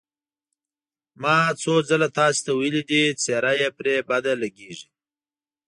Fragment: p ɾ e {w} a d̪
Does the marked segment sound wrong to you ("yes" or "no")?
yes